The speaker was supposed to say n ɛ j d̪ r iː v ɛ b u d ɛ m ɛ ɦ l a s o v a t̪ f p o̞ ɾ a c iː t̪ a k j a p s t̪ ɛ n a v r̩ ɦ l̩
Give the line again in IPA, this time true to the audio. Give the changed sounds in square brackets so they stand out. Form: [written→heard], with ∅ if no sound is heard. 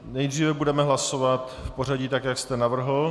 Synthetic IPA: n ɛ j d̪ r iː v ɛ b u d ɛ m ɛ ɦ l a s o v a t̪ f p o̞ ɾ a [c→ɟ] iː t̪ a k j a [p→k] s t̪ ɛ n a v r̩ ɦ l̩